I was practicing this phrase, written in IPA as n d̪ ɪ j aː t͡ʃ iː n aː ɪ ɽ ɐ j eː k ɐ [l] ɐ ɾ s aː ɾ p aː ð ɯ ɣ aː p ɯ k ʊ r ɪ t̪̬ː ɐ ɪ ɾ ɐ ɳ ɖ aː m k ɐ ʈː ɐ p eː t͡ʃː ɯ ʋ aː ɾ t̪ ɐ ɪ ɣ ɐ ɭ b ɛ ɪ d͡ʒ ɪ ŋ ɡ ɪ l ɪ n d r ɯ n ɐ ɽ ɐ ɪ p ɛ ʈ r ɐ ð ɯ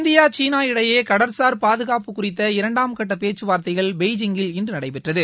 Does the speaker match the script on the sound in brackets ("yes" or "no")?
no